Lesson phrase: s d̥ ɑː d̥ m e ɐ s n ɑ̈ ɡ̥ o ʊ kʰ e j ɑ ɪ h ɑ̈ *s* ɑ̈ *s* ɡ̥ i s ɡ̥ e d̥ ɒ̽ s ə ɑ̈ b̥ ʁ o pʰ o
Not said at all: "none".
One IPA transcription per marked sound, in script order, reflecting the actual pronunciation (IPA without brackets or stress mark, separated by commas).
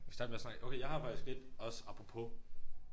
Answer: f, none